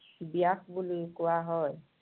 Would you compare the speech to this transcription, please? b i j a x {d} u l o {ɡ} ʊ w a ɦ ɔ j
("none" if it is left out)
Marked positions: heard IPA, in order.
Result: b, k

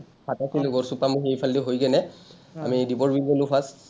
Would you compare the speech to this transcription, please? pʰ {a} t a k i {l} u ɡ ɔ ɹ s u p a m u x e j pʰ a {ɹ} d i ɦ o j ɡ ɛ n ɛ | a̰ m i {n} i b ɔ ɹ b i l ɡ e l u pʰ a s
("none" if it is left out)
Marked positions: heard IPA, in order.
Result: a, l, l, d

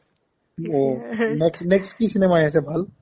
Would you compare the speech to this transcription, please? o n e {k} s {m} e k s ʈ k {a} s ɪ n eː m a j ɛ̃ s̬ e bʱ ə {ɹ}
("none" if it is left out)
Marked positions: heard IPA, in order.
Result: k, n, i, l

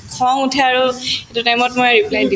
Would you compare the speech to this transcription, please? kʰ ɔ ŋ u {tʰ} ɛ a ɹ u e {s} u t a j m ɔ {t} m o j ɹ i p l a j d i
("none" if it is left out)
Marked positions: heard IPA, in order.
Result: tʰ, t, t

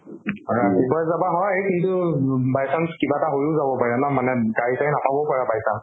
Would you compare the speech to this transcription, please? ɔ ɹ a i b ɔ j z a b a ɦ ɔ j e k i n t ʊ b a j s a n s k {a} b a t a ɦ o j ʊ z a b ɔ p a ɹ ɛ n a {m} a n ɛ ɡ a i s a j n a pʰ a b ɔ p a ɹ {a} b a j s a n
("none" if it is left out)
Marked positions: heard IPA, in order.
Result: i, m, a

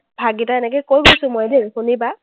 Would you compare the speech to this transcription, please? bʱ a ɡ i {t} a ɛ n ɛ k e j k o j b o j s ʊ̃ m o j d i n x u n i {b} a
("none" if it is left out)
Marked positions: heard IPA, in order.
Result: t, b

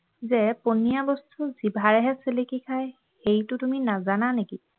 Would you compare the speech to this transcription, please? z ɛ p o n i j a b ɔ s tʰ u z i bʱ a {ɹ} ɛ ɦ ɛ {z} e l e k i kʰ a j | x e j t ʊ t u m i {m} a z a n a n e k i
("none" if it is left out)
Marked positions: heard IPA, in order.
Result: ɹ, s, n

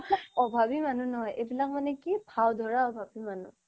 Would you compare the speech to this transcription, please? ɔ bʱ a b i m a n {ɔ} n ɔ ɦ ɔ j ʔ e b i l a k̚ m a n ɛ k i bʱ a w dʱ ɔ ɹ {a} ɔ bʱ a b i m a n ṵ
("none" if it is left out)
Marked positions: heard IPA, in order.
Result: u, a

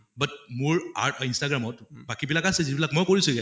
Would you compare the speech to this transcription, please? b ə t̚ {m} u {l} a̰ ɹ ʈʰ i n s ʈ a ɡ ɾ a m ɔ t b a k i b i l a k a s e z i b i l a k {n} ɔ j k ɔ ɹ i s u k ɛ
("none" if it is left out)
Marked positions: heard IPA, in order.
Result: m, ɹ, m

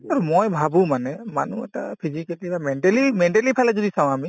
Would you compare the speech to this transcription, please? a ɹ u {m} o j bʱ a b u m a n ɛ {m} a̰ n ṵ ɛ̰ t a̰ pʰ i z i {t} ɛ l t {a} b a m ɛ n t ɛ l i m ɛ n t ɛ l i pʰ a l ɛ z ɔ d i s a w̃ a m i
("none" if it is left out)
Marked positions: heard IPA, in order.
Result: m, m, k, i

